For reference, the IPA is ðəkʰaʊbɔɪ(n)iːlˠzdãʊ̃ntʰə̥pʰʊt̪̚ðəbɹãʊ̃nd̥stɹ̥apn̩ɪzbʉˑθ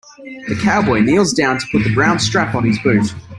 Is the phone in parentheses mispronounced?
no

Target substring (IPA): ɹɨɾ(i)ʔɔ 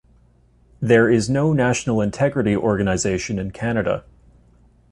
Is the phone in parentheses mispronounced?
no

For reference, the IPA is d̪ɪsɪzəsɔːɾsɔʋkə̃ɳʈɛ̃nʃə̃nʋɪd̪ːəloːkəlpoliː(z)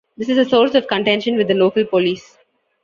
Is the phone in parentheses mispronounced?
yes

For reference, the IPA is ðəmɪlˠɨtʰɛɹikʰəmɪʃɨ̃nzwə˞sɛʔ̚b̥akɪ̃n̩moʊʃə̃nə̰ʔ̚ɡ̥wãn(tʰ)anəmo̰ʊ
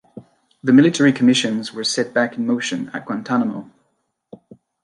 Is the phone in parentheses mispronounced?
no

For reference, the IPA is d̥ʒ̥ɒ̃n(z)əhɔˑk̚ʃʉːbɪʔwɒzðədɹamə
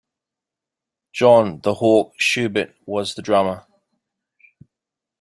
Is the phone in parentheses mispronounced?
yes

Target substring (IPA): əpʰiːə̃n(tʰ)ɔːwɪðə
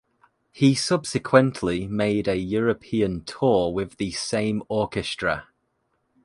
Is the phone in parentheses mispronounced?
no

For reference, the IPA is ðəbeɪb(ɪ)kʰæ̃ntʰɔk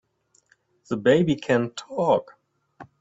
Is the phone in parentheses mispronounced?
yes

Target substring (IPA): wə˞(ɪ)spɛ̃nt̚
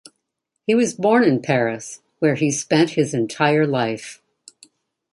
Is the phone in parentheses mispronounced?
yes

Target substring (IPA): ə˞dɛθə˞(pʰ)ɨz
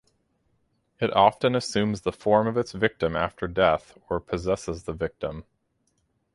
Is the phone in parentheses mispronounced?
no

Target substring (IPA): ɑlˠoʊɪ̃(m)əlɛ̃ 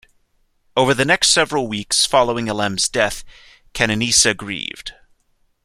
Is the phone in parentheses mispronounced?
yes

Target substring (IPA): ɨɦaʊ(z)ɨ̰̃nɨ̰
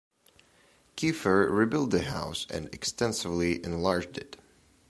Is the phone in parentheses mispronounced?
yes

